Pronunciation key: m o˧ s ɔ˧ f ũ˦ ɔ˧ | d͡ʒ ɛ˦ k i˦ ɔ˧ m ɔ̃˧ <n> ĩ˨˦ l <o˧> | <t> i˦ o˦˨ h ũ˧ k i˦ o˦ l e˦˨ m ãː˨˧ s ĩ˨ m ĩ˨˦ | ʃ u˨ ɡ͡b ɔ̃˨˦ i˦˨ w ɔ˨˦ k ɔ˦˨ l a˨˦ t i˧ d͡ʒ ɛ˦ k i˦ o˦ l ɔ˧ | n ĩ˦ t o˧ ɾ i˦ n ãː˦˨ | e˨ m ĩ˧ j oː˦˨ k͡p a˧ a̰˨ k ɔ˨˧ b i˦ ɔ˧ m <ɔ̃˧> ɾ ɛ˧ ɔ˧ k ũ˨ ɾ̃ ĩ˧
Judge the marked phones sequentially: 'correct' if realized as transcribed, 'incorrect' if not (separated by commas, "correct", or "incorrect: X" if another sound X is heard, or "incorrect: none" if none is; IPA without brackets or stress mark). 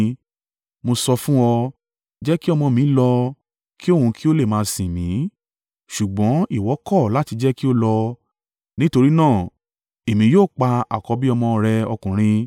incorrect: m, incorrect: ɔ˧, incorrect: k, correct